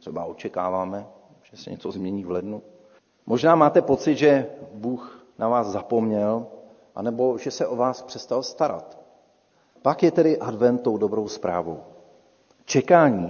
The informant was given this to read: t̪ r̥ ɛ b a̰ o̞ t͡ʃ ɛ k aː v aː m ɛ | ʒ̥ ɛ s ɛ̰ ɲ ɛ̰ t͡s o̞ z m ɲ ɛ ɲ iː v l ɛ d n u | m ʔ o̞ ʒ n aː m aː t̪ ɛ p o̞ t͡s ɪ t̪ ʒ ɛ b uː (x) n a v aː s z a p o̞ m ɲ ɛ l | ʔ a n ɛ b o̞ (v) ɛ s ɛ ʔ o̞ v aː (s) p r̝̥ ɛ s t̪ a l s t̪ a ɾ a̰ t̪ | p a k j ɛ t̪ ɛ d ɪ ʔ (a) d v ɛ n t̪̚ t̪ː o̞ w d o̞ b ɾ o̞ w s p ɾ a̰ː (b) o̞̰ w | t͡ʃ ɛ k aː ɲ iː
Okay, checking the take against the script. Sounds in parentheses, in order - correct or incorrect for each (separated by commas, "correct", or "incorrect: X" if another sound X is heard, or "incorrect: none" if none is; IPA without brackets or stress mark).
correct, incorrect: ʒ, correct, correct, incorrect: v